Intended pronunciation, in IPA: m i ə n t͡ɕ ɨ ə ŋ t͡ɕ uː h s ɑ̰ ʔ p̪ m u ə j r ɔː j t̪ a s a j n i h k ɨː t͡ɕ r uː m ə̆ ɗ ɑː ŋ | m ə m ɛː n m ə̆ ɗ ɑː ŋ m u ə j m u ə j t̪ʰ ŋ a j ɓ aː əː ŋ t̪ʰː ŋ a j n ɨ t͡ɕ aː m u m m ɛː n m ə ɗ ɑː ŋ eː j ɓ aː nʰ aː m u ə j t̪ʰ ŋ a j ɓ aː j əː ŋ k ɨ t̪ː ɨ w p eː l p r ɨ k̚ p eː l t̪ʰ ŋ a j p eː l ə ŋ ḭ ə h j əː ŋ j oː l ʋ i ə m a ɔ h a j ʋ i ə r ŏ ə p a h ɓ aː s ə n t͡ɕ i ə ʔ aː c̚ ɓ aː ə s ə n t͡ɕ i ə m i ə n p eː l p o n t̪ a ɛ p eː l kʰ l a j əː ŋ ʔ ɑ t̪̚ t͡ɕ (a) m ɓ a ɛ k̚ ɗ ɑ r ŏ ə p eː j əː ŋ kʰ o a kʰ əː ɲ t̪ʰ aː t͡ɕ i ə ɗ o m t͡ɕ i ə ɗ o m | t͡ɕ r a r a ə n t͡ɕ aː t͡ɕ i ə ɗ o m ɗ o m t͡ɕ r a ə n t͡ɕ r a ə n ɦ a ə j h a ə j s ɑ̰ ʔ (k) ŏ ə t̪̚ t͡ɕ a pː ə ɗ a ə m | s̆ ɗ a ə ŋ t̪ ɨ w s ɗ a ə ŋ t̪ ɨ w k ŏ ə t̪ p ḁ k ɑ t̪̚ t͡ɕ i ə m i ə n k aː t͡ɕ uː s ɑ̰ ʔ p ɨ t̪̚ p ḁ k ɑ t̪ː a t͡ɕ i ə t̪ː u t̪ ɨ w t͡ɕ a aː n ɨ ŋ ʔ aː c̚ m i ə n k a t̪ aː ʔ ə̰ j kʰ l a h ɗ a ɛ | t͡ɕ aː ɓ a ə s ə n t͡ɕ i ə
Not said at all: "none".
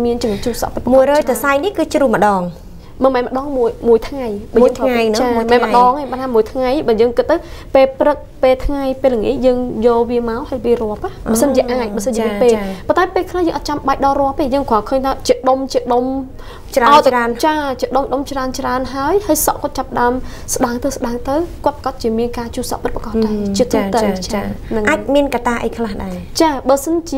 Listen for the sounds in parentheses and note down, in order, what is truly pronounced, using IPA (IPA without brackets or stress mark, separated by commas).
a, k